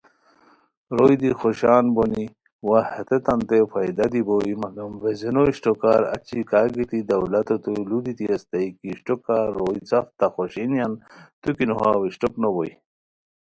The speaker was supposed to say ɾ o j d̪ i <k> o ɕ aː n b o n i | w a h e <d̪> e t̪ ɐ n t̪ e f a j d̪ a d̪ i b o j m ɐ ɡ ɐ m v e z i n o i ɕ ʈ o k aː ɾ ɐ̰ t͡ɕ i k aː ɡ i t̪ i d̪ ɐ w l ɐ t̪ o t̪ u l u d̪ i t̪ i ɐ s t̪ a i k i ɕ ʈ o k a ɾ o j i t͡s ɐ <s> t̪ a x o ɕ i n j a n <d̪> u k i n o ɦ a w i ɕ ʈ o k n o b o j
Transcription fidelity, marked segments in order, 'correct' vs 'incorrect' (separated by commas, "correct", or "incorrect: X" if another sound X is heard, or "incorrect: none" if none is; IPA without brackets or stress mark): incorrect: x, incorrect: t̪, incorrect: f, incorrect: t̪